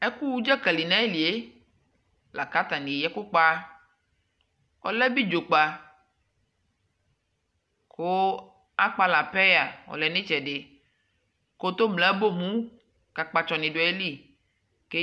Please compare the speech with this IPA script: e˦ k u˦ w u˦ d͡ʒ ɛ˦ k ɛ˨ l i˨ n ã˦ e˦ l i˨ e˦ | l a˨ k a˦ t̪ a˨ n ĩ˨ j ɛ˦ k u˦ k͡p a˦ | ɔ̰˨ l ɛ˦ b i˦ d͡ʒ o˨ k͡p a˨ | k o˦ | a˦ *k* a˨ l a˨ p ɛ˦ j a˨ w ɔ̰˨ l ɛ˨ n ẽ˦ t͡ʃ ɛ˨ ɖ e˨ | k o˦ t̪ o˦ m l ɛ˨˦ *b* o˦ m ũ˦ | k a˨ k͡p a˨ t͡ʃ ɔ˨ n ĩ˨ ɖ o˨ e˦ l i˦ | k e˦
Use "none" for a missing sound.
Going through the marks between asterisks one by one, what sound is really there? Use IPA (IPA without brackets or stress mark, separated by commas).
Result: k͡p, b